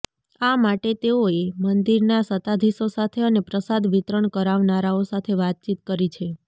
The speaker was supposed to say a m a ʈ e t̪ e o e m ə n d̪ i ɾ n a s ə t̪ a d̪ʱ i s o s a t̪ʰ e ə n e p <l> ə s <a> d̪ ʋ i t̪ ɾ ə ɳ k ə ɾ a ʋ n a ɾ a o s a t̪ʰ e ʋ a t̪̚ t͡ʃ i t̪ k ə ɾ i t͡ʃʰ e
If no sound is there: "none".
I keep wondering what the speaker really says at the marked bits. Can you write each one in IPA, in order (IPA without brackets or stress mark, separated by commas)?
ɾ, a